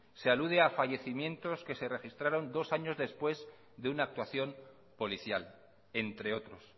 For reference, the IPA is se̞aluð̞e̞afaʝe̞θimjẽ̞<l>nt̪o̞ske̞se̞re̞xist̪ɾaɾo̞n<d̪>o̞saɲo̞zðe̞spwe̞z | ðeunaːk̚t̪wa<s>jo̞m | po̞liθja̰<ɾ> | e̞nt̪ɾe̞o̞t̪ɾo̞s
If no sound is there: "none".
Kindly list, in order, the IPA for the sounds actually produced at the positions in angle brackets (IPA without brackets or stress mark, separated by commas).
none, d̪, θ, l